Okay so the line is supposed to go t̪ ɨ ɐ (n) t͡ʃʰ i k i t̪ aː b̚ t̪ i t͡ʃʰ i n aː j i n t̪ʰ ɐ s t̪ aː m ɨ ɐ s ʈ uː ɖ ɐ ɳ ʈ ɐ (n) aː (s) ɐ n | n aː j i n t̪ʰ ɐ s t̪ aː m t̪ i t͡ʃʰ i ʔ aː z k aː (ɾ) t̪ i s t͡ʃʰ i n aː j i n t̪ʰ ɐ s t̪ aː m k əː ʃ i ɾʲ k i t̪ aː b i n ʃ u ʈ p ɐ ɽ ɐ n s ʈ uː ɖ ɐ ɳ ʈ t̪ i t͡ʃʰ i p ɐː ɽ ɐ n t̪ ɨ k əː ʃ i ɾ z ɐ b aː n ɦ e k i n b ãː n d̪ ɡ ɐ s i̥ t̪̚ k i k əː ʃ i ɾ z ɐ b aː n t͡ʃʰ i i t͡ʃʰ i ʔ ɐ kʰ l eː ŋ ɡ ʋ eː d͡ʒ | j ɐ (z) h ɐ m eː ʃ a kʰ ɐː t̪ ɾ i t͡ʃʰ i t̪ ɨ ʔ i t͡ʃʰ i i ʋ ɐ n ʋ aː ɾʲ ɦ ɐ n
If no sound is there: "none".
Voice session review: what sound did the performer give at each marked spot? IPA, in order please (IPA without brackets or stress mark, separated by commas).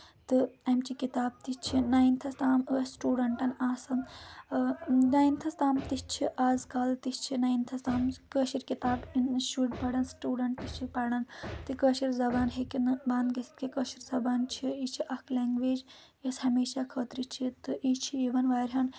m, n, s, l, s